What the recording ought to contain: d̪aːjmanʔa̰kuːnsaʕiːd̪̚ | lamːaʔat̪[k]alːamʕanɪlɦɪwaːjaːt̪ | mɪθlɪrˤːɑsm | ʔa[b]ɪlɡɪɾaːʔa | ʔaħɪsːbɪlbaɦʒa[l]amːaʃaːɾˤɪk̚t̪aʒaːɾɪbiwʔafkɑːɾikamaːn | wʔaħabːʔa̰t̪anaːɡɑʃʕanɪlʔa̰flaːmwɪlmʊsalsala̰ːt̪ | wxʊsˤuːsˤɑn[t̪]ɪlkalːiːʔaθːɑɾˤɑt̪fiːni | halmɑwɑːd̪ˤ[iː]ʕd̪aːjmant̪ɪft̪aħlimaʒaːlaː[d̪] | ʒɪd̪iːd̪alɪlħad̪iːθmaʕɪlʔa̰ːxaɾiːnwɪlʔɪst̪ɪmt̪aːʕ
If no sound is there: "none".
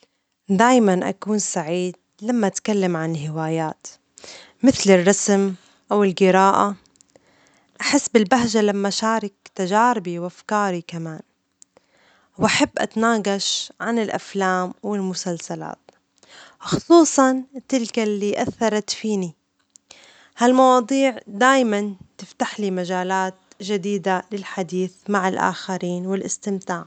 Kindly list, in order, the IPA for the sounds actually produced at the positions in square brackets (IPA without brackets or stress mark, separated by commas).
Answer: k, w, l, t̪, iː, t̪